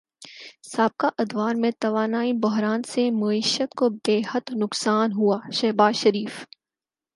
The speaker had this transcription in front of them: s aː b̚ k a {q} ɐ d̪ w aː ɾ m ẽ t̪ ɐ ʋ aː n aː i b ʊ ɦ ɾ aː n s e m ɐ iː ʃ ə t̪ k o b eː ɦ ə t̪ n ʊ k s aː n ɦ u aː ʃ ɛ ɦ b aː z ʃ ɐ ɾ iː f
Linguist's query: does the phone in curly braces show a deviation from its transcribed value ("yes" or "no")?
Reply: yes